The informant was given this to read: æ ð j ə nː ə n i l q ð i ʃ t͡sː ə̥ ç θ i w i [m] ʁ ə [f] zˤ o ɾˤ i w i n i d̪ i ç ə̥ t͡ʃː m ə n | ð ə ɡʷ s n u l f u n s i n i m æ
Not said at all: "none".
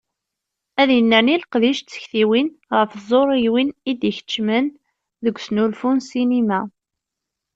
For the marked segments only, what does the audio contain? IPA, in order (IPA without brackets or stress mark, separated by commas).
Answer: n, f